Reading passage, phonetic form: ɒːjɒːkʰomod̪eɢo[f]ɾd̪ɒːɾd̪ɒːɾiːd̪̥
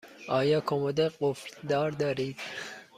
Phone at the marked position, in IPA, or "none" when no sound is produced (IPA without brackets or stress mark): f